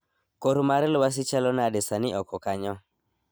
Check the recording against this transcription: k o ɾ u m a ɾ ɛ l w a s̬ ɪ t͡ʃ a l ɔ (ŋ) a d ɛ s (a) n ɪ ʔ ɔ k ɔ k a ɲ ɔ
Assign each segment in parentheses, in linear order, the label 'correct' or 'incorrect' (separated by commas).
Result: incorrect, correct